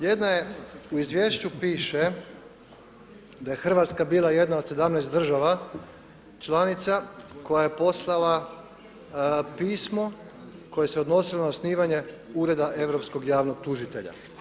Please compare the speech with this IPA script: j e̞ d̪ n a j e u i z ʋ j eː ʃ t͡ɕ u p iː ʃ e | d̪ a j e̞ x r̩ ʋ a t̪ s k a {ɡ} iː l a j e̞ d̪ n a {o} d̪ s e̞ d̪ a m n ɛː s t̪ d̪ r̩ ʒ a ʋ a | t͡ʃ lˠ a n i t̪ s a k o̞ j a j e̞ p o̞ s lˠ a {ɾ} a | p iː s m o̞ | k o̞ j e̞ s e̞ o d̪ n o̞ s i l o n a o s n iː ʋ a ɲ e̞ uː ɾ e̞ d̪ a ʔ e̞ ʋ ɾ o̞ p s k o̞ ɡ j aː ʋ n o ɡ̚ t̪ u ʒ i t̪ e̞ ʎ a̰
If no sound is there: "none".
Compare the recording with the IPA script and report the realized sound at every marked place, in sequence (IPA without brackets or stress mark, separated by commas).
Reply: b, o, l